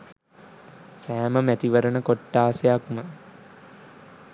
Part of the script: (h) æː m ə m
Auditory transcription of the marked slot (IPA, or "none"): s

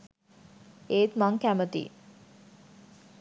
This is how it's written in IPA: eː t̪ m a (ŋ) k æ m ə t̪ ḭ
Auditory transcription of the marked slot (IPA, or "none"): ŋ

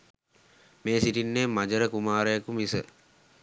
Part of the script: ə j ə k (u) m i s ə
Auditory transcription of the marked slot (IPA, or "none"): u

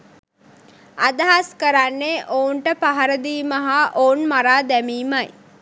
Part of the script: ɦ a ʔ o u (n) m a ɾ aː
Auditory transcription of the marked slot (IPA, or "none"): n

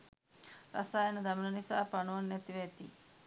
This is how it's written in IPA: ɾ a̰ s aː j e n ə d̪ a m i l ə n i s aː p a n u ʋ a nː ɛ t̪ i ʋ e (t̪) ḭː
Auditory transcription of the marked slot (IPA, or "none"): t̪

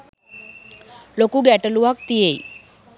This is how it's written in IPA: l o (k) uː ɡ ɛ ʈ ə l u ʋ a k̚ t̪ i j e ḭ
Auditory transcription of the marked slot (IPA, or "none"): k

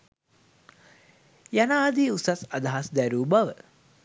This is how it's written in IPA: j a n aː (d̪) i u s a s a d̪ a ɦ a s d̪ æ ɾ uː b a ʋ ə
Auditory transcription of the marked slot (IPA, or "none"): d̪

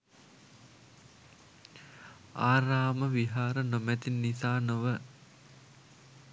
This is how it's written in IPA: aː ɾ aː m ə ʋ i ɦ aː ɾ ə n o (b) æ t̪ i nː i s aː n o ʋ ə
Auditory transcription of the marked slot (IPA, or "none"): m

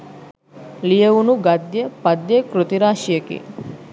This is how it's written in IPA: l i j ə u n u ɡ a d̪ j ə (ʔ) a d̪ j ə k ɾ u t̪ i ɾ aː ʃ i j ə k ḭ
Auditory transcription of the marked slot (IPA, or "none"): p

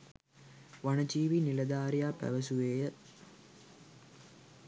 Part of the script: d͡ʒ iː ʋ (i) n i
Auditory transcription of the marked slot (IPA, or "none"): i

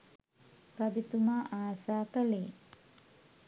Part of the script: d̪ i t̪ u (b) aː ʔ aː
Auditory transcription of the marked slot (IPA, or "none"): m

